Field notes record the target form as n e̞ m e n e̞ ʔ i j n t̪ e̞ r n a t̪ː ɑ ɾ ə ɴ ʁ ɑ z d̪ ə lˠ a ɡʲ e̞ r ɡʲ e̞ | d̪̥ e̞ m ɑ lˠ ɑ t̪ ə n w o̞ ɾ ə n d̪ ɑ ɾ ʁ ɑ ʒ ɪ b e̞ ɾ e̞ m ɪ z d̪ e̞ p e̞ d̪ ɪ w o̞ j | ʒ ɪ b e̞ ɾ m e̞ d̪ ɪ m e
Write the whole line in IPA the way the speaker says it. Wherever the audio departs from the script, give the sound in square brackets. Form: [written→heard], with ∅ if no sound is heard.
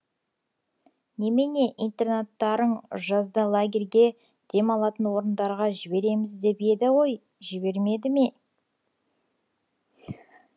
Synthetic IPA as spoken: n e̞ m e n e̞ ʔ i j n t̪ e̞ r n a t̪ː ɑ ɾ ə ɴ [ʁ→ʒ] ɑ z d̪ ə lˠ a ɡʲ e̞ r ɡʲ e̞ | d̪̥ e̞ m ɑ lˠ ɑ t̪ ə n w o̞ ɾ ə n d̪ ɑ ɾ ʁ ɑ ʒ ɪ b e̞ ɾ e̞ m ɪ z d̪ e̞ p e̞ d̪ ɪ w o̞ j | ʒ ɪ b e̞ ɾ m e̞ d̪ ɪ m e